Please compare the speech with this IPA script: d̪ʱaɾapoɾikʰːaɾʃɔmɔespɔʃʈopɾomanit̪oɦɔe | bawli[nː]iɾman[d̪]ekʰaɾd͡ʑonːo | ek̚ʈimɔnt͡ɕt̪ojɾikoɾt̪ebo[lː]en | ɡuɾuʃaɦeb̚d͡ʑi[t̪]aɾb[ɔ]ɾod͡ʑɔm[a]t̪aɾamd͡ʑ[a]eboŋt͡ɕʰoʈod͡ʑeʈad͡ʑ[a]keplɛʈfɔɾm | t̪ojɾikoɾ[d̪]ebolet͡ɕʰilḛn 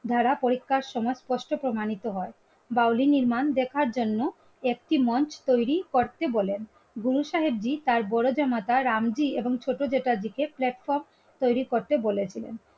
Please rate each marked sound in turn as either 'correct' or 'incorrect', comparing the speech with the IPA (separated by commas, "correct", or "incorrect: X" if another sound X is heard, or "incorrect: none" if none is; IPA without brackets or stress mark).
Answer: incorrect: n, correct, incorrect: l, correct, correct, correct, incorrect: i, incorrect: i, incorrect: t̪